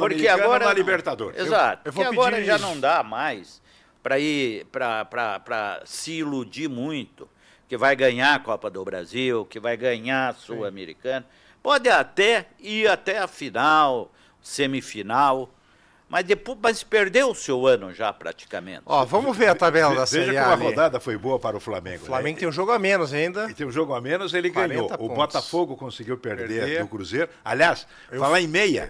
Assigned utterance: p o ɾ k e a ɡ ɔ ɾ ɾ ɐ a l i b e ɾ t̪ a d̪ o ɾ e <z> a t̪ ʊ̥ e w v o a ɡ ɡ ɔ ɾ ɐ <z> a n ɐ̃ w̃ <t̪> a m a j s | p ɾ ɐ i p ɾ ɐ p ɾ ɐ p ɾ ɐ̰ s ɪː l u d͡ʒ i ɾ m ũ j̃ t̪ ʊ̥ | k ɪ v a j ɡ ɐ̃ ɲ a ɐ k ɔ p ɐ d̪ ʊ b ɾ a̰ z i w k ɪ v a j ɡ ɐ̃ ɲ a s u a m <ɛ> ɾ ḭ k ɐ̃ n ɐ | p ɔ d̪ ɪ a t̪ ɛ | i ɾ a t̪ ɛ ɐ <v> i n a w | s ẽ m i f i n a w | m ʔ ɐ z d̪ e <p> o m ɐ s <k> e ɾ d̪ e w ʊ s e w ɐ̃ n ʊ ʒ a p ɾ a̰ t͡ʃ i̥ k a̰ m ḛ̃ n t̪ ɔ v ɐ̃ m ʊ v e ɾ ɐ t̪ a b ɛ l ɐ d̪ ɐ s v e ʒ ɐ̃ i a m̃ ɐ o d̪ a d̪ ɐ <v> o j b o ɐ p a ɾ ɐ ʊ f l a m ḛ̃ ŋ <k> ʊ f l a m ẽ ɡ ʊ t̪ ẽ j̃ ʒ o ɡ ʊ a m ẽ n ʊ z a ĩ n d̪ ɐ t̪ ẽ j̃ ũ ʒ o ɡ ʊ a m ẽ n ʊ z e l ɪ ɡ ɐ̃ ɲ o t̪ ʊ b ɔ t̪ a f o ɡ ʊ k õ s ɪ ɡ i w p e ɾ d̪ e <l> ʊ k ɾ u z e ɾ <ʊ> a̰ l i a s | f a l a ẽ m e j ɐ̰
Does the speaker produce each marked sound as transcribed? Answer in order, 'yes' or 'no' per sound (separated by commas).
yes, no, no, no, no, yes, no, no, no, no, yes